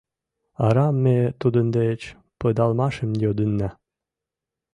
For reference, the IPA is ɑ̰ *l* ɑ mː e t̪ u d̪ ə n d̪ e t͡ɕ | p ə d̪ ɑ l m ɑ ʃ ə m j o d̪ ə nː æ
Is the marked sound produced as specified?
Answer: no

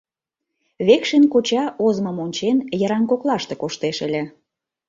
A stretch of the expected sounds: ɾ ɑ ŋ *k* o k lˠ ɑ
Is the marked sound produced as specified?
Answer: yes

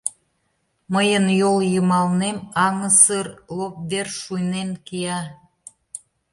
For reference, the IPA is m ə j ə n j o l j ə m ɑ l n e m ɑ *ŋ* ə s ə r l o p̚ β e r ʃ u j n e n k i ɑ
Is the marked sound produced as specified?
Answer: yes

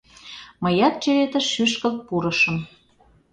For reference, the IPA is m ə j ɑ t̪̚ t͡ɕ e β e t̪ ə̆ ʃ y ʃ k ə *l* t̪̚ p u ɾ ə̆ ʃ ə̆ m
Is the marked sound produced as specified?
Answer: yes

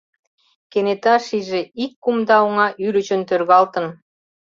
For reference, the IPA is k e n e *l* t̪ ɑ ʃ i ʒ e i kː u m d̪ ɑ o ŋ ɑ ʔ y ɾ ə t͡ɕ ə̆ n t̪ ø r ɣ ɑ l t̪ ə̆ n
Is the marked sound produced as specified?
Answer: no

